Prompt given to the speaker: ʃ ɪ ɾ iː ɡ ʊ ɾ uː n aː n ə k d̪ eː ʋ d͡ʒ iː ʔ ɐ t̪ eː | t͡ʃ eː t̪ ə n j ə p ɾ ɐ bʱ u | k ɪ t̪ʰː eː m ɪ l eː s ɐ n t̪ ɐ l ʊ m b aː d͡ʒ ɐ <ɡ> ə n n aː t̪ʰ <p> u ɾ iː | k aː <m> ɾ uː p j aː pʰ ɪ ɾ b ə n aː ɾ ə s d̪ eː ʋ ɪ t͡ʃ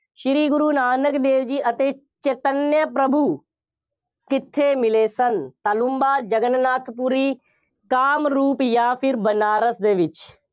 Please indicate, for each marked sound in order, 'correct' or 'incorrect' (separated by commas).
correct, correct, correct